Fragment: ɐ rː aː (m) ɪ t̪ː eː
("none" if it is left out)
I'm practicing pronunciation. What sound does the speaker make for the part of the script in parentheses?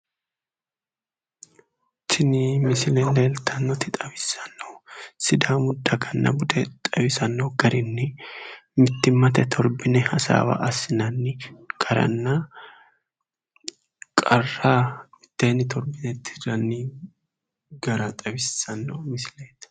m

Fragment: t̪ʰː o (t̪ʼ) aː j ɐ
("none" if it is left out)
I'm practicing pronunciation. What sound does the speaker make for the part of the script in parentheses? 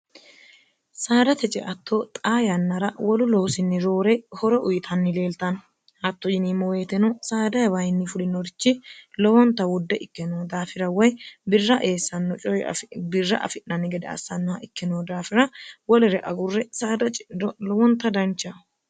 t̪ʼ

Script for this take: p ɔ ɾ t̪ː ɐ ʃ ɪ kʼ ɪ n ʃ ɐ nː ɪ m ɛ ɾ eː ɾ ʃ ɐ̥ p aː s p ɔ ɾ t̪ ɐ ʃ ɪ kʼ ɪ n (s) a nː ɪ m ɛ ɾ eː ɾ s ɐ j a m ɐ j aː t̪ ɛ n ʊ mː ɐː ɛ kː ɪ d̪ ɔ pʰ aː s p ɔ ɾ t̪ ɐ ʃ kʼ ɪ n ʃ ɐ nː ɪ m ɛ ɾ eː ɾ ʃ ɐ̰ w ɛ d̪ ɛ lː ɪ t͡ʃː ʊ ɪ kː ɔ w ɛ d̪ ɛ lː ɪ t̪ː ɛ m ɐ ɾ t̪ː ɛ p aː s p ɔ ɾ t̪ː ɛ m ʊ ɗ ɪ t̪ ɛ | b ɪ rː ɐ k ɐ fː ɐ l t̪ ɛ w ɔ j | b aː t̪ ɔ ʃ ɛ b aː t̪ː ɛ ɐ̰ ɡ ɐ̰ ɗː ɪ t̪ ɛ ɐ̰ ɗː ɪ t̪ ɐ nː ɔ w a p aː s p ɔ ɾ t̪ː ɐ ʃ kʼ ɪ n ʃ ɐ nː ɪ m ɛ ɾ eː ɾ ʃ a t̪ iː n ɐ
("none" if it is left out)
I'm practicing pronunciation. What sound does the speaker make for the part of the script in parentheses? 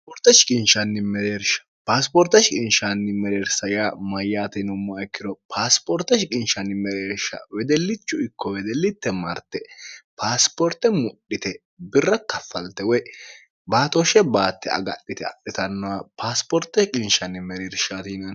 ʃ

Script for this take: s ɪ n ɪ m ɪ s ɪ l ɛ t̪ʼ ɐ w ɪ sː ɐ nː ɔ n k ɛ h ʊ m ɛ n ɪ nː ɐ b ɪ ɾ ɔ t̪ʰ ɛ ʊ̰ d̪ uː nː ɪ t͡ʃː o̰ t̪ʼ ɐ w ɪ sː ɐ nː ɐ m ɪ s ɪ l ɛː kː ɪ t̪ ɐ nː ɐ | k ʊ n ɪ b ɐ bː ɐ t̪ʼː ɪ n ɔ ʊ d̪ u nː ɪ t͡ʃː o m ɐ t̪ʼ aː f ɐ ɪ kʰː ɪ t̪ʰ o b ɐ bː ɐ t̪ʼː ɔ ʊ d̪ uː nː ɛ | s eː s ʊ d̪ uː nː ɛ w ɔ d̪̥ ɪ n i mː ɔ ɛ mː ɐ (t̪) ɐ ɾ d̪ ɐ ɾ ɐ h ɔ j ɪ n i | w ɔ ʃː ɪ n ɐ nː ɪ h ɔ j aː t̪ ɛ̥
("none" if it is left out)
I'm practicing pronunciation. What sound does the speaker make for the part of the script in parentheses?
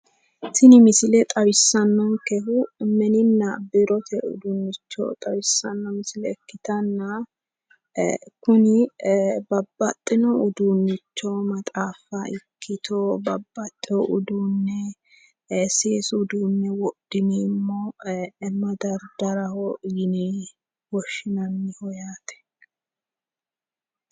d̪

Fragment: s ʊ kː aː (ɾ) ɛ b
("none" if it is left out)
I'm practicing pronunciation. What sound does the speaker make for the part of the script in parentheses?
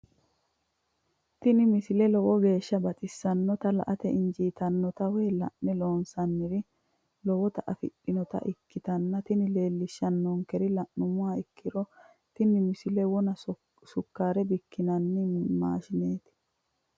ɾ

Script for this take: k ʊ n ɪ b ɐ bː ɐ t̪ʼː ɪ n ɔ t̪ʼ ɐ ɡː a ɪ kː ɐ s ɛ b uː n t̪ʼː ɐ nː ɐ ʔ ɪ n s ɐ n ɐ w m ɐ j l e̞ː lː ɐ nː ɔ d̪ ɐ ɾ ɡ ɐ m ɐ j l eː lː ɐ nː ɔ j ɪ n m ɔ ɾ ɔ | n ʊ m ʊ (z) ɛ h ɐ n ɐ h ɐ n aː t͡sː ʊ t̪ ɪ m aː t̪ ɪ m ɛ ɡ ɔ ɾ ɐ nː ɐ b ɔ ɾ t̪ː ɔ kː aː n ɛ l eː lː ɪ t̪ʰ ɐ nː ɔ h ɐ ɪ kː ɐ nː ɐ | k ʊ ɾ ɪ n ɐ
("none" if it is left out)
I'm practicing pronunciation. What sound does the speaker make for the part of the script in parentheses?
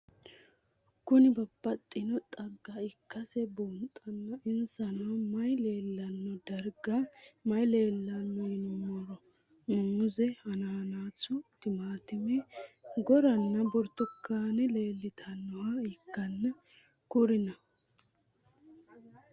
z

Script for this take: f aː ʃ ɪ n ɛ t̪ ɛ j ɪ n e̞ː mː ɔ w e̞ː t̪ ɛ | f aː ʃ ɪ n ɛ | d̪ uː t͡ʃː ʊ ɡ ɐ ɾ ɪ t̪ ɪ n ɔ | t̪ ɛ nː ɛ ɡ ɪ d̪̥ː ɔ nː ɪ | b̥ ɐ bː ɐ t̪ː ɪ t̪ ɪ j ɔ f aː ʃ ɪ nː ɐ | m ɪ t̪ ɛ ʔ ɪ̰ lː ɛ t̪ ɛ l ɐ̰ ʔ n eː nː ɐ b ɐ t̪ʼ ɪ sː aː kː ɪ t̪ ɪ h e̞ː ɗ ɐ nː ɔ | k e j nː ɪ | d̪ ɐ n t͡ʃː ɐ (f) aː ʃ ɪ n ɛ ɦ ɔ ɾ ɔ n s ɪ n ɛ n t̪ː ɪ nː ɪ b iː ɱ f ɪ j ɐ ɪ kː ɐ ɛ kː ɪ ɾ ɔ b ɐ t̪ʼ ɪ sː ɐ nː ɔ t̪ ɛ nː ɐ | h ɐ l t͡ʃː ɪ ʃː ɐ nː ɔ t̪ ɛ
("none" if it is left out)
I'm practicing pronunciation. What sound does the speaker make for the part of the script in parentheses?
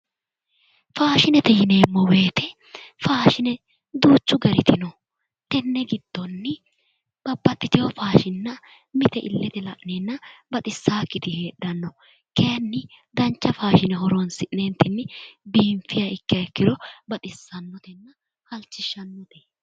f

